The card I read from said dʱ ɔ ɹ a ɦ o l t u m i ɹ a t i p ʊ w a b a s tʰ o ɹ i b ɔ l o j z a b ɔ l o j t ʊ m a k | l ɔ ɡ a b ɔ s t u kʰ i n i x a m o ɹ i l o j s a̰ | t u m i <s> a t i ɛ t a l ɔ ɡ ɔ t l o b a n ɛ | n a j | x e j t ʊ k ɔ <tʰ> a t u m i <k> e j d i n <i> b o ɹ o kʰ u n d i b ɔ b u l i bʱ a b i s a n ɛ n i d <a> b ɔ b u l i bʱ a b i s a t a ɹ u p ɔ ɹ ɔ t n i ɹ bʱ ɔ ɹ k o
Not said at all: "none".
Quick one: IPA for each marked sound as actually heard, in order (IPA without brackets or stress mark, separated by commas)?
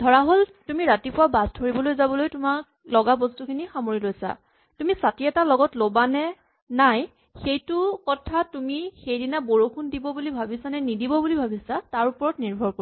s, tʰ, x, a, i